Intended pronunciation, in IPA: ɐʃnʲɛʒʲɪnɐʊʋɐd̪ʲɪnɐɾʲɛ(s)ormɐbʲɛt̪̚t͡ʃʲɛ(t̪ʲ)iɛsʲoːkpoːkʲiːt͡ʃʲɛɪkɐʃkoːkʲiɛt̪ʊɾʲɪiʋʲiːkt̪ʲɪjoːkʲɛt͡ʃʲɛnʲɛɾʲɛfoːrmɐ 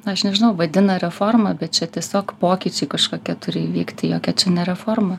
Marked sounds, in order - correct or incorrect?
incorrect, correct

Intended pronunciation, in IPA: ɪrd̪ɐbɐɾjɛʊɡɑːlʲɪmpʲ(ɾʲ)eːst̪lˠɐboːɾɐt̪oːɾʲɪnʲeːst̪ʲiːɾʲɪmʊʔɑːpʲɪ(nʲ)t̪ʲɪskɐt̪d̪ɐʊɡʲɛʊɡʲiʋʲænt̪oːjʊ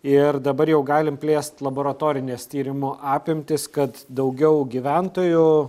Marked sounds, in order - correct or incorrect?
incorrect, incorrect

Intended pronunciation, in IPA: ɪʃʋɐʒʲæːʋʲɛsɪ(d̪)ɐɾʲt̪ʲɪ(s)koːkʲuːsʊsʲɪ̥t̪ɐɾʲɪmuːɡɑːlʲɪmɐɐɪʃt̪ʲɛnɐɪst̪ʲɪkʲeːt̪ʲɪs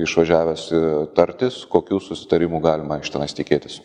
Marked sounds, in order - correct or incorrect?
incorrect, correct

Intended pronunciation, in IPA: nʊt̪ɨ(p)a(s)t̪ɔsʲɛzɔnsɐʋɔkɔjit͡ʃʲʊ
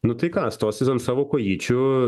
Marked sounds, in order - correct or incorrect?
incorrect, correct

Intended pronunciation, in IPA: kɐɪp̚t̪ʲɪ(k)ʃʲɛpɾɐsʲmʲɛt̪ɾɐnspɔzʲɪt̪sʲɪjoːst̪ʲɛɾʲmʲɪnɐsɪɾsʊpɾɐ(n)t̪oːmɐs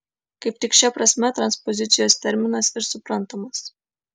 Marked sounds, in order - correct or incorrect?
correct, correct

